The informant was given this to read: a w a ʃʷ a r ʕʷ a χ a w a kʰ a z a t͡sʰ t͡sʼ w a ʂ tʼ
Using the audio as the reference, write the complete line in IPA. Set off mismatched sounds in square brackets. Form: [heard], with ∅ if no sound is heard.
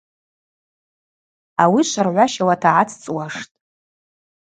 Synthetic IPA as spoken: a w [i] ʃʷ a r ʕʷ a [ʃ] a w a [tʰ] a [ʕ] a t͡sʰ t͡sʼ w a ʂ tʼ